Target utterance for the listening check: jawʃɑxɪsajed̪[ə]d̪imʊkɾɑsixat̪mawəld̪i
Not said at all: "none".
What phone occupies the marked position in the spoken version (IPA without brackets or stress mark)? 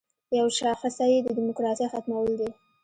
ə